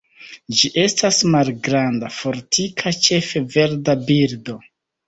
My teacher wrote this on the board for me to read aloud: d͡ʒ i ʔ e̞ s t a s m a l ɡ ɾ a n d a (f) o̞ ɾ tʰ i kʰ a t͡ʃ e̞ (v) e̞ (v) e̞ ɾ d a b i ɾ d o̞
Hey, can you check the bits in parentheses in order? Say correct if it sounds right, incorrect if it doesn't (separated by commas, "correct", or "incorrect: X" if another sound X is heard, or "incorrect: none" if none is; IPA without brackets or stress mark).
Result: correct, incorrect: f, correct